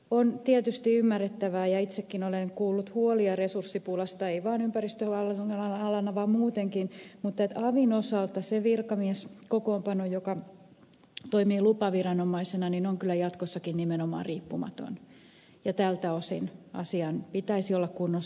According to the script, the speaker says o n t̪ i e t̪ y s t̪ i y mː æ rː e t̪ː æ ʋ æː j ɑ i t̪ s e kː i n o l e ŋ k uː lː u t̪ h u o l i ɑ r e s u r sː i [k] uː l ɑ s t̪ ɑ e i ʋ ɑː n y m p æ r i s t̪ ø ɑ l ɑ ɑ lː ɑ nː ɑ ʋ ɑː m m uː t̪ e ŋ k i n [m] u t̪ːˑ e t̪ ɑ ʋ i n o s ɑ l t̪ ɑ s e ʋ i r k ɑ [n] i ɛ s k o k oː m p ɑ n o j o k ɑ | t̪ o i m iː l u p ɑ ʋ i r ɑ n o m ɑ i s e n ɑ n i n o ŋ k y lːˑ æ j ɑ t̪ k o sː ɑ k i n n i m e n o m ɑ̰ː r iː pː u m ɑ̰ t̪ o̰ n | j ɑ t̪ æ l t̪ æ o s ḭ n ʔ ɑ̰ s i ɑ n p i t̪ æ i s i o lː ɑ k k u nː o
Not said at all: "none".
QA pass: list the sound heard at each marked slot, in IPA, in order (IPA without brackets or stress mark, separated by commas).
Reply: p, m, m